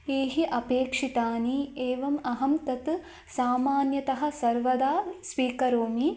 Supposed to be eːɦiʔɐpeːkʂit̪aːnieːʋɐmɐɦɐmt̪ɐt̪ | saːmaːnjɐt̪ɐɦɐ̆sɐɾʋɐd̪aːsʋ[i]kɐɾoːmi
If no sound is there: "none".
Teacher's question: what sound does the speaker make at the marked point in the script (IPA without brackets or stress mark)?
iː